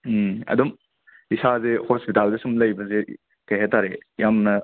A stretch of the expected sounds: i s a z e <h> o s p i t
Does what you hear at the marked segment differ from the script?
no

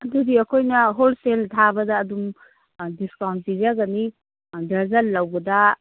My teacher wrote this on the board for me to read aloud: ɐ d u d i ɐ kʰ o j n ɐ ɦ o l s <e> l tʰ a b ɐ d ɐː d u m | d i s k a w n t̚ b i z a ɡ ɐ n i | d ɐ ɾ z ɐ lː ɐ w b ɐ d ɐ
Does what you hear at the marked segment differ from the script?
no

